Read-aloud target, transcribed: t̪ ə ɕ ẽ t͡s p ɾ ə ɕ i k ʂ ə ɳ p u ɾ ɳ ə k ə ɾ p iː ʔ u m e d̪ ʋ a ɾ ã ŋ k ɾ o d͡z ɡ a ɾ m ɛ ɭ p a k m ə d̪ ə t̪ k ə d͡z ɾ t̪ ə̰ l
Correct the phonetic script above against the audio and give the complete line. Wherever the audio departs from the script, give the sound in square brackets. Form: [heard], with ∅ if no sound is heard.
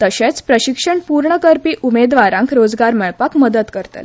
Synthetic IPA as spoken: t̪ ə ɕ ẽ t͡s p ɾ ə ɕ i k ʂ ə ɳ p u ɾ ɳ ə k ə ɾ p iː ʔ u m e d̪ ʋ a ɾ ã ŋ k ɾ o d͡z ɡ a ɾ m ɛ ɭ p a k m ə d̪ ə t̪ k ə [∅] ɾ t̪ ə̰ l